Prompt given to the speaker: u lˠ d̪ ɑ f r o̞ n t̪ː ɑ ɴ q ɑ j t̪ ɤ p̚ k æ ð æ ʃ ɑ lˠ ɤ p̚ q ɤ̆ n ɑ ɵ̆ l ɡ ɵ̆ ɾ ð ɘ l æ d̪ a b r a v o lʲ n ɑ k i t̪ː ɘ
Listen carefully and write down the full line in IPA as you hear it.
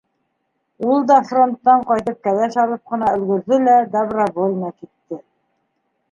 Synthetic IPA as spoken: u lˠ d̪ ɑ f r o̞ n t̪ː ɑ ɴ q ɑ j t̪ ɤ p̚ k æ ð æ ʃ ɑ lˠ ɤ p̚ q ɤ̆ n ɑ ɵ̆ l ɡ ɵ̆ ɾ ð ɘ l æ d̪ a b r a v o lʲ n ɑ k i t̪ː ɘ